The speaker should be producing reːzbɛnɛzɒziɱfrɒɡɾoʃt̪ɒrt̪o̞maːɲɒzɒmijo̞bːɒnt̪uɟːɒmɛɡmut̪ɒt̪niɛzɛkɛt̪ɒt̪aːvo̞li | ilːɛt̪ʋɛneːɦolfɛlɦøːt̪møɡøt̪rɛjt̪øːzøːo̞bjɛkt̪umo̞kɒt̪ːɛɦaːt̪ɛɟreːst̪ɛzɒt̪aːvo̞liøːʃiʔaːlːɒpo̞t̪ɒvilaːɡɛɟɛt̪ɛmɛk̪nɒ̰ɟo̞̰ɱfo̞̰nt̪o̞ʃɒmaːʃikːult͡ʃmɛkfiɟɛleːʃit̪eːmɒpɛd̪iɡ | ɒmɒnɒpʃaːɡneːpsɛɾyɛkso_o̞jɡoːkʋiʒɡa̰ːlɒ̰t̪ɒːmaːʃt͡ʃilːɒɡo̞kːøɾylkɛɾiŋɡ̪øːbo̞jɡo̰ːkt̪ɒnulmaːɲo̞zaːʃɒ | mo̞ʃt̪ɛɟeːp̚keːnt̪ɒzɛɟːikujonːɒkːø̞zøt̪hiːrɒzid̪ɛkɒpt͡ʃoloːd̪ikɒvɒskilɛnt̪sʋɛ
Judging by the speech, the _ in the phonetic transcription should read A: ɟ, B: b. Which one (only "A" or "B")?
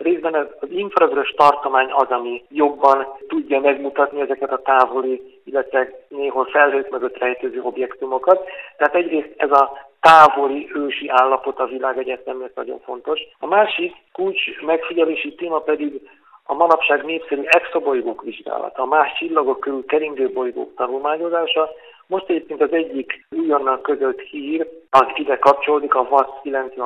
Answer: B